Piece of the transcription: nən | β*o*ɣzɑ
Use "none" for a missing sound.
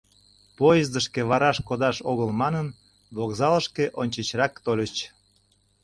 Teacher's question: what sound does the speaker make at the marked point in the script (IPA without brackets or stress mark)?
o